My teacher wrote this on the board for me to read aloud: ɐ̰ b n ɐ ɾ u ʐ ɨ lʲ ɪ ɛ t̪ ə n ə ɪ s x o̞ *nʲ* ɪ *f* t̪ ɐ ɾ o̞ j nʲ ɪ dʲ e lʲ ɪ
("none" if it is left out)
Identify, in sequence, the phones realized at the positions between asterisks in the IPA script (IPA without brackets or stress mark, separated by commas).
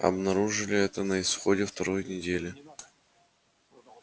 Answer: dʲ, f